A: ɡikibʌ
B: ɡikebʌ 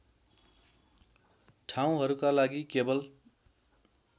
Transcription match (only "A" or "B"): B